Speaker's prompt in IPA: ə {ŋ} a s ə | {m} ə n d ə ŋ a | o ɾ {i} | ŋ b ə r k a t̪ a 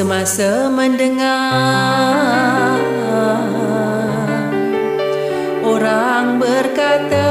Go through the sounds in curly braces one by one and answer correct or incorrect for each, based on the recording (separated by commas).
incorrect, correct, incorrect